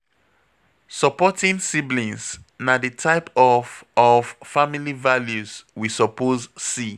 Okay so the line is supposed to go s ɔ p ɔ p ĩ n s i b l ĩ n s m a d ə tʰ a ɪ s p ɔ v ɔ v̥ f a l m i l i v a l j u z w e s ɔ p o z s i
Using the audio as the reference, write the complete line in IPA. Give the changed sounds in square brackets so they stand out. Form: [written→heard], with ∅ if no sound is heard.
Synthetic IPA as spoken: s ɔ p ɔ [p→t] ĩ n s i b l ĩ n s [m→n] a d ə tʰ a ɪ [s→∅] p ɔ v ɔ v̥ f a [l→∅] m i l i v a l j u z w [e→i] s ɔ p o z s i